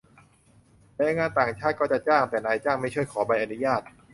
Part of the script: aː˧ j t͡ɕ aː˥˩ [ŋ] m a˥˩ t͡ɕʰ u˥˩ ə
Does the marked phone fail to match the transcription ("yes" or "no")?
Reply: no